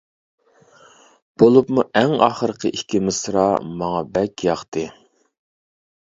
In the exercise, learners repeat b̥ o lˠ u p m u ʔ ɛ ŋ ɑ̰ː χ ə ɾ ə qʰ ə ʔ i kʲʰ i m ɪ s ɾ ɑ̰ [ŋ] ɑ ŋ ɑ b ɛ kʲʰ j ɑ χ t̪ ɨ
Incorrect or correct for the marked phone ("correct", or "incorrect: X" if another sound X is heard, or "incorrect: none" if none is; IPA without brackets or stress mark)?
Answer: incorrect: m